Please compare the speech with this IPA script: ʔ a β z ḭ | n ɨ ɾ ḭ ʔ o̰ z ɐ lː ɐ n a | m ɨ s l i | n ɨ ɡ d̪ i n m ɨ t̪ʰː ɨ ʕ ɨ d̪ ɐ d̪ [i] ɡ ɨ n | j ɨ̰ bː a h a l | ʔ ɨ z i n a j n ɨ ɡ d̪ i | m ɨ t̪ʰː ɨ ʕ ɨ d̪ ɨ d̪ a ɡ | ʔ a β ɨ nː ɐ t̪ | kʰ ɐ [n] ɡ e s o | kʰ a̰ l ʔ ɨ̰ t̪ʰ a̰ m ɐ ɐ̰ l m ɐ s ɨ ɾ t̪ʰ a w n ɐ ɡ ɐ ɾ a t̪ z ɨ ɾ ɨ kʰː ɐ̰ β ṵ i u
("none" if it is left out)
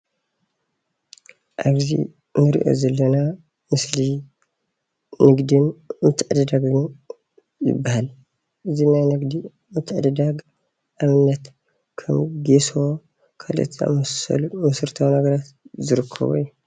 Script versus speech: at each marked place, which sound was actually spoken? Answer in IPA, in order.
a, m

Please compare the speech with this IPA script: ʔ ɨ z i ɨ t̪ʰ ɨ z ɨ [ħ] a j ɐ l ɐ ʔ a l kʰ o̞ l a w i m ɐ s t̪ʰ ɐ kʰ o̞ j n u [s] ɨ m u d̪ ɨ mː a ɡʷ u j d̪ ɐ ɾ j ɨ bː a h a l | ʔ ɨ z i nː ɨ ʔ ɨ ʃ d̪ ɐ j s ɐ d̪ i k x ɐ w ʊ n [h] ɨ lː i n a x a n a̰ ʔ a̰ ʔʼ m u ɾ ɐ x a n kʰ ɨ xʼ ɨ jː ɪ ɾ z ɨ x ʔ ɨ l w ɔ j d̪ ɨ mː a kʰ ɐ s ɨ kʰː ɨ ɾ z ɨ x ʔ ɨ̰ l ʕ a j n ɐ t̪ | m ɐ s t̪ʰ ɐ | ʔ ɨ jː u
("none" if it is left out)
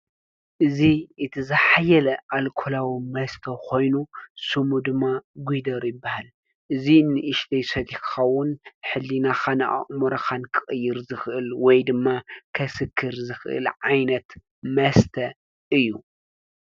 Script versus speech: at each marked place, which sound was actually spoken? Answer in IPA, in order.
ħ, s, ħ

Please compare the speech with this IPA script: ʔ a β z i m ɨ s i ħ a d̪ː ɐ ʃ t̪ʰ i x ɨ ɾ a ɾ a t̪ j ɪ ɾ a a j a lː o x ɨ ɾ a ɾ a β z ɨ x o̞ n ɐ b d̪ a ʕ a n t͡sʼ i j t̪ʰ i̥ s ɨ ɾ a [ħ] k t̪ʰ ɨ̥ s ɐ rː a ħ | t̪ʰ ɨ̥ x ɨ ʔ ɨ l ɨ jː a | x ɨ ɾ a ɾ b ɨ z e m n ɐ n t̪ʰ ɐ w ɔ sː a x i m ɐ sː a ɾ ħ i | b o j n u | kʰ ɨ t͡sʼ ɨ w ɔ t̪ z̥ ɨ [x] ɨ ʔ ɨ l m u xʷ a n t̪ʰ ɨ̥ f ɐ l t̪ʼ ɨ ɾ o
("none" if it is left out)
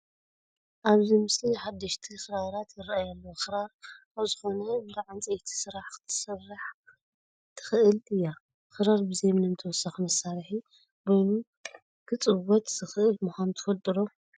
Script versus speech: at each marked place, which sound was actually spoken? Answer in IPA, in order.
ħ, x

